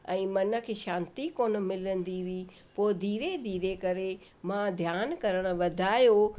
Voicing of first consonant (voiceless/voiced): voiced